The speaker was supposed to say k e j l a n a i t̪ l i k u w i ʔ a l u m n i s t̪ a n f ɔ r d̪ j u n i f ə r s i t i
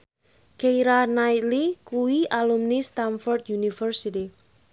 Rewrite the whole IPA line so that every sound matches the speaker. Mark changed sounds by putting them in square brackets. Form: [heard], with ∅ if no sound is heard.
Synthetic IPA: k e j [ɾ] a n a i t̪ l i k u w i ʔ a l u m n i s t̪ a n f ɔ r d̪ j u n i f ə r s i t i